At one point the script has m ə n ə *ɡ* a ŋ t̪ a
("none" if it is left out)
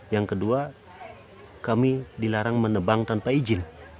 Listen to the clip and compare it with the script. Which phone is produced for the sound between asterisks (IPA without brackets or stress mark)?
b